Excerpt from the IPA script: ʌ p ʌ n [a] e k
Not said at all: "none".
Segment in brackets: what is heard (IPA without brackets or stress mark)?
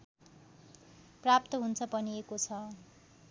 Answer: i